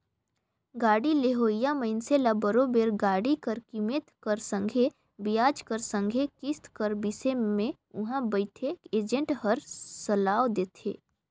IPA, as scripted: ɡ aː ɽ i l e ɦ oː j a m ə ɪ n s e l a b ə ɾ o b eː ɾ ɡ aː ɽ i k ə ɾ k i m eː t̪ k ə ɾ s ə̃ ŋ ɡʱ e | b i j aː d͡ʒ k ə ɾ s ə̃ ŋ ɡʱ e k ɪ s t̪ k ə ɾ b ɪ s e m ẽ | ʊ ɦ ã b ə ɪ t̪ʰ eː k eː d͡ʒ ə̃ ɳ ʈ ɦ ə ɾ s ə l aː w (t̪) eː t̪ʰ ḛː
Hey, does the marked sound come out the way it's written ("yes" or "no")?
no